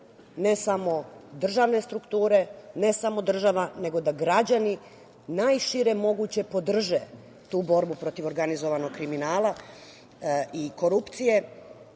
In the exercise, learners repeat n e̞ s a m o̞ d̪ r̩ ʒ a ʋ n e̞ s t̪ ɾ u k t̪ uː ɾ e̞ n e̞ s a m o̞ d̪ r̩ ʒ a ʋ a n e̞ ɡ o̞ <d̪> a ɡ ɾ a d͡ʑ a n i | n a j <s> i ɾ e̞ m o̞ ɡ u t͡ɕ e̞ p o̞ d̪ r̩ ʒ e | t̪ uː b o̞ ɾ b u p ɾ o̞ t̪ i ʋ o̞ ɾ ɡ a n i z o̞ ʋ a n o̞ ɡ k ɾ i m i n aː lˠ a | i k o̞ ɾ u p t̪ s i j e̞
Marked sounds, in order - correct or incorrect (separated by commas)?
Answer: correct, incorrect